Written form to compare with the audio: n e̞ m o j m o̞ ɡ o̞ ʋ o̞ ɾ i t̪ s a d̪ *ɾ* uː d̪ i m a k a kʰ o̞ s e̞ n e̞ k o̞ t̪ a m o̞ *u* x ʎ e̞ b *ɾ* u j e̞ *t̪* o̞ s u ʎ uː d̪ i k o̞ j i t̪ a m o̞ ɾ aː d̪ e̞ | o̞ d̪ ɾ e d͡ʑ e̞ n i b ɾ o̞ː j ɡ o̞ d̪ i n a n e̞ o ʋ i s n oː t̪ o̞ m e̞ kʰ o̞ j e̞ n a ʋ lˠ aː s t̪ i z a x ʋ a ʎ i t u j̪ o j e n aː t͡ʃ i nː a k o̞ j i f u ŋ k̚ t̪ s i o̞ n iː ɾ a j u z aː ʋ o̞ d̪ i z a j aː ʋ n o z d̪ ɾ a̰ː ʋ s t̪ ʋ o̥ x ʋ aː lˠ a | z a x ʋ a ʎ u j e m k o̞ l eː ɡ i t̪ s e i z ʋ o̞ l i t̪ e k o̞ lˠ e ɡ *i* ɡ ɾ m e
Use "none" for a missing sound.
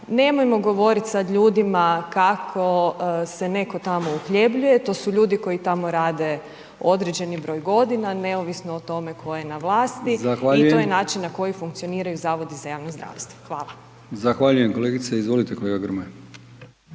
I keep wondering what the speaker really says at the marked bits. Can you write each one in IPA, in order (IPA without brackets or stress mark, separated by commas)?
ʎ, u, ʎ, t̪, a